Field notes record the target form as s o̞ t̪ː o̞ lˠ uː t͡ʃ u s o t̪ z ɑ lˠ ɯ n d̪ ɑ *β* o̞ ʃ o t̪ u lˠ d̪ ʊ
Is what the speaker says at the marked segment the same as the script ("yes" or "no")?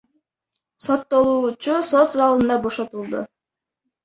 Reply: no